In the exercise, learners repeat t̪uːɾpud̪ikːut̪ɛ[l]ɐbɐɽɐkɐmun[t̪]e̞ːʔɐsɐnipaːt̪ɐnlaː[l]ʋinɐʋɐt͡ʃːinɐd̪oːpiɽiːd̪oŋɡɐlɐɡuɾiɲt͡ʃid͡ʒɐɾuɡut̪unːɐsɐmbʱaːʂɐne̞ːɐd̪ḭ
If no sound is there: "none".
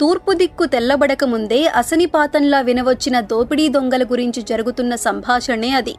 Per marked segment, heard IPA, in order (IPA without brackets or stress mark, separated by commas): lː, d̪, none